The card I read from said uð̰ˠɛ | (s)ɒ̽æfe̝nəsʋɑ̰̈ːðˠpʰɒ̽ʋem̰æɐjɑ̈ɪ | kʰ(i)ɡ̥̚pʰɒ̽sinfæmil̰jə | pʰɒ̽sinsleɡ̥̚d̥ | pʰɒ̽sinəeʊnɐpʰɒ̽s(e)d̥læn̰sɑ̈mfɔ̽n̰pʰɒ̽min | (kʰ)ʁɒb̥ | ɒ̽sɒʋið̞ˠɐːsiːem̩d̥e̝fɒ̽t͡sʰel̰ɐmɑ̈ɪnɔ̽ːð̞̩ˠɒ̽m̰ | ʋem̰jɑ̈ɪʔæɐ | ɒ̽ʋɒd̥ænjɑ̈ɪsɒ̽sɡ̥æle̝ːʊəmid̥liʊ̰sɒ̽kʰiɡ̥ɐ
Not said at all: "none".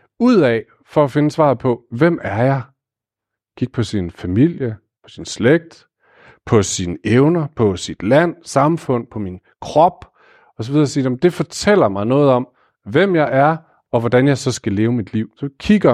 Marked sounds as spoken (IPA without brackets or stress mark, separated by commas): f, i, i, kʰ